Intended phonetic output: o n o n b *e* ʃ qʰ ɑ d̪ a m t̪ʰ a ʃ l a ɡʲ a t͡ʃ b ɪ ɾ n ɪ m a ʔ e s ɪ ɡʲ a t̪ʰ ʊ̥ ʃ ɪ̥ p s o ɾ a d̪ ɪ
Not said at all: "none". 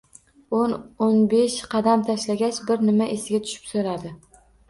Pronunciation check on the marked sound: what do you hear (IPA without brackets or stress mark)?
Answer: e